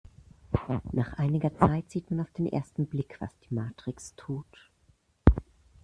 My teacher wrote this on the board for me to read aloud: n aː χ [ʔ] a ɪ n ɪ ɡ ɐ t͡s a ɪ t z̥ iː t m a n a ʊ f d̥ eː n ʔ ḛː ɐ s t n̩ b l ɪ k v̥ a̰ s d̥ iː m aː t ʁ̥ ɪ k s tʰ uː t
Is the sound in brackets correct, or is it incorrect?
correct